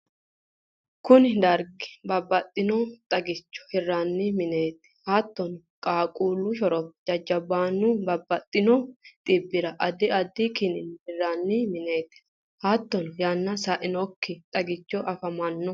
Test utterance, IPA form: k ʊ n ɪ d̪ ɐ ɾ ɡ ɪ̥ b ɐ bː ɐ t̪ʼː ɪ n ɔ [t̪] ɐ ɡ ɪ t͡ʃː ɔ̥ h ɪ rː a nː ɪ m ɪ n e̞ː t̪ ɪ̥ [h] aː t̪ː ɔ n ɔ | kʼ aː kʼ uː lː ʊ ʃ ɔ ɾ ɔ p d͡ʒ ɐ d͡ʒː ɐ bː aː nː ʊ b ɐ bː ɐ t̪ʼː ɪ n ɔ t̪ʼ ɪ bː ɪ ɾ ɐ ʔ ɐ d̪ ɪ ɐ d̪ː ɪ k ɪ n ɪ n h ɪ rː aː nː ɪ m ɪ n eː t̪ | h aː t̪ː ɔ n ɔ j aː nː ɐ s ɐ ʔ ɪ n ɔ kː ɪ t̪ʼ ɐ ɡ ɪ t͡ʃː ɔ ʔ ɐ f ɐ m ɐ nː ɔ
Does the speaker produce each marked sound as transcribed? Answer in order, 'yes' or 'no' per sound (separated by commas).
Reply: no, yes